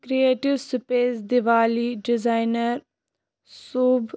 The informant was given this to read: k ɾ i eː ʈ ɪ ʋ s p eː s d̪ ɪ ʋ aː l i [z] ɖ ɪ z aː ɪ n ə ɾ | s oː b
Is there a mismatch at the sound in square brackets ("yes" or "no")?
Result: yes